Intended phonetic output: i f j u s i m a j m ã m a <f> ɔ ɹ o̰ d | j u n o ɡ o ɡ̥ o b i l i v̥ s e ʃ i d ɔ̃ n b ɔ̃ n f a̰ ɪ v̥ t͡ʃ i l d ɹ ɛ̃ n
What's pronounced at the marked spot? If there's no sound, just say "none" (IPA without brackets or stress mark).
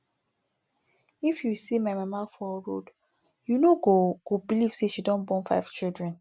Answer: f